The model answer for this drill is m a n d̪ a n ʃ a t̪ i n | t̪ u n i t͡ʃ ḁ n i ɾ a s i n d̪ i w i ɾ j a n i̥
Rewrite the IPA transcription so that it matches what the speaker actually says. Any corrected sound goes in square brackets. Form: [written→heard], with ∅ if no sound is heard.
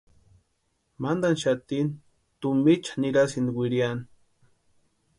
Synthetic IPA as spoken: m a n d̪ a n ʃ a t̪ i n | t̪ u [n→m] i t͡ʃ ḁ n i ɾ a s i n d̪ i w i ɾ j a n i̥